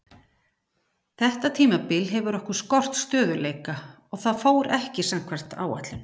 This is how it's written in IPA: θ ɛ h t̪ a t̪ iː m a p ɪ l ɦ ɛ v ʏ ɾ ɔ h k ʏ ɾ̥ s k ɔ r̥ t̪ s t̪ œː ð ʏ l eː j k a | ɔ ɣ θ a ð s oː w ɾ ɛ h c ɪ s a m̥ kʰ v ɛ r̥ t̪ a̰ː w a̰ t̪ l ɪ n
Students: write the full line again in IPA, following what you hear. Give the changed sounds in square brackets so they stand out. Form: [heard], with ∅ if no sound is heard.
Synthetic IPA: θ ɛ h t̪ a [t̪ʰ] iː m a p ɪ l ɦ ɛ v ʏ ɾ ɔ h k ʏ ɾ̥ s k ɔ r̥ t̪ s t̪ œː ð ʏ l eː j k a | ɔ ɣ θ a ð [f] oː w ɾ ɛ h c ɪ s a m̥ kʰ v ɛ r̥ t̪ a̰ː w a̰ t̪ l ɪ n